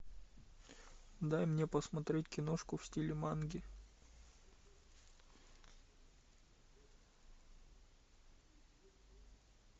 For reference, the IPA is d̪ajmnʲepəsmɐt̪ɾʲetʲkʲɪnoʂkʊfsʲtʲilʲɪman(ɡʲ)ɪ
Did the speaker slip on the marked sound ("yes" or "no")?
no